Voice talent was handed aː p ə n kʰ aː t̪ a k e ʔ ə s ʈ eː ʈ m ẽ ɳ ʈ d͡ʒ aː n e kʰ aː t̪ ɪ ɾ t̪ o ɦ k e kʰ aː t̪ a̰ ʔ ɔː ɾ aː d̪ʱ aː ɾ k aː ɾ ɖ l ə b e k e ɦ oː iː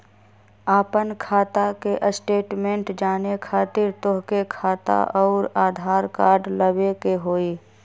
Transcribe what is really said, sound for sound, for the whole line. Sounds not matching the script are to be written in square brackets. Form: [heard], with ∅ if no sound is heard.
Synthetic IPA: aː p ə n kʰ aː t̪ a k e ʔ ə s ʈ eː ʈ m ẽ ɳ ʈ d͡ʒ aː n e kʰ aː t̪ ɪ ɾ t̪ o ɦ k e kʰ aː t̪ a̰ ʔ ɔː ɾ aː d̪ʱ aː ɾ k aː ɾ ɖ l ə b e k e ɦ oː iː

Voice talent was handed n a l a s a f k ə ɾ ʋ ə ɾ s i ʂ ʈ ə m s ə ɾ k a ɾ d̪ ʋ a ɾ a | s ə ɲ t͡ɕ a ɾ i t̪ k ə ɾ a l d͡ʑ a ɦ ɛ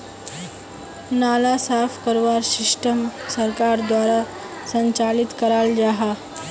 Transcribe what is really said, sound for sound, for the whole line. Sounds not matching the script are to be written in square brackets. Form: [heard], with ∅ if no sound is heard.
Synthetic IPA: n a l a s a f k ə ɾ ʋ [a] ɾ s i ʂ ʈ ə m s ə ɾ k a ɾ d̪ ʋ a ɾ a | s ə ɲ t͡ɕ a [l] i t̪ k ə ɾ a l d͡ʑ a ɦ [a]

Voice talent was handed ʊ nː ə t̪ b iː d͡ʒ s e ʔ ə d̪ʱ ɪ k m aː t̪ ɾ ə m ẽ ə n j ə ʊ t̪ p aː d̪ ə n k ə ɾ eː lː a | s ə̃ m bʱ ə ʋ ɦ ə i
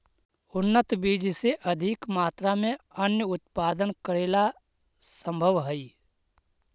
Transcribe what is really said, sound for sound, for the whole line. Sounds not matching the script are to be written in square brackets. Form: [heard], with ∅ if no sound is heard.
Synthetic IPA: ʊ nː ə t̪ b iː d͡ʒ s e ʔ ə d̪ʱ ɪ k m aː t̪ ɾ [a] m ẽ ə n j ə ʊ t̪ p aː d̪ ə n k ə ɾ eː [l] a | s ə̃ m bʱ ə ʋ ɦ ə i

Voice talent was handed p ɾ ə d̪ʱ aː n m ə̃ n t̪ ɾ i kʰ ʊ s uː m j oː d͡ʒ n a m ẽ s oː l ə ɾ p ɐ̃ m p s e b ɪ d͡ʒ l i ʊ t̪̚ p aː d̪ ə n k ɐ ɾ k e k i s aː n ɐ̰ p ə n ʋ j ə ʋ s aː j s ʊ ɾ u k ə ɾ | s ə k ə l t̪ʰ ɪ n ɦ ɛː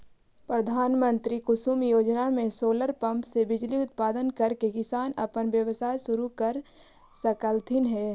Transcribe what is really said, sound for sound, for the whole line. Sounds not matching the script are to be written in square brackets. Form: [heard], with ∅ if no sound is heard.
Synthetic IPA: p ɾ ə d̪ʱ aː n m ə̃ n t̪ ɾ i [k] ʊ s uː m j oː d͡ʒ n a m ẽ s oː l ə ɾ p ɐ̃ m p s e b ɪ d͡ʒ l i ʊ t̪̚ p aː d̪ ə n k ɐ ɾ k e k [ɪ] s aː n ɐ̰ p ə n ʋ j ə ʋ s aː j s ʊ ɾ u k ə ɾ | s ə k ə l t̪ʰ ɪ n ɦ ɛː

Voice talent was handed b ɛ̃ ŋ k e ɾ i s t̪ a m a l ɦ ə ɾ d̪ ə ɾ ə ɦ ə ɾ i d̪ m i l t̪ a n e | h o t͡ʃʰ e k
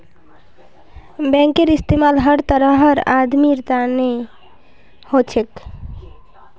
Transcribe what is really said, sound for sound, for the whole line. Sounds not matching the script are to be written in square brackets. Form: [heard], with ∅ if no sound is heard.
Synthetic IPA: b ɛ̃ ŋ k e ɾ i s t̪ [e] m a l ɦ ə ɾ [t̪] ə ɾ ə ɦ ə ɾ [a] d̪ m i [ɾ] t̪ a n e | h o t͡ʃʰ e k

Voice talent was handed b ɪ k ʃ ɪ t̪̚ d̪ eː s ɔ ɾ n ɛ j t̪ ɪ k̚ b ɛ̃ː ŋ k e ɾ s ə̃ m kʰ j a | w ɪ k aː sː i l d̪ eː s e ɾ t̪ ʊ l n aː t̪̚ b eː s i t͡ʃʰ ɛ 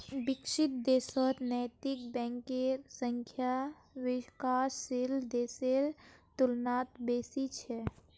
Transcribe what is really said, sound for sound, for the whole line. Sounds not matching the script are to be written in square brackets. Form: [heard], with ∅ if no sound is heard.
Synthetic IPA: b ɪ k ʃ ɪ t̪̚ d̪ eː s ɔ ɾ n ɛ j t̪ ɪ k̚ b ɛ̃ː ŋ k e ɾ s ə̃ [ŋ] kʰ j a | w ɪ k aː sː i l d̪ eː s e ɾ t̪ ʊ l n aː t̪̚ b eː s i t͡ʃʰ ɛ

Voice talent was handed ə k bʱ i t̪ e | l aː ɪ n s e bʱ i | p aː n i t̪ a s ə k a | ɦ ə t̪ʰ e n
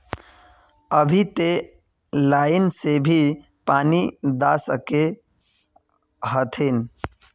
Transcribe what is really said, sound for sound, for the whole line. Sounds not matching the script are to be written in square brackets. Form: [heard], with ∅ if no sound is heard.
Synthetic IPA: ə [∅] bʱ i t̪ e | l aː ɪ n s e bʱ i | p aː n i [d̪] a s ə k [e] | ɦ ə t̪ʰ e n

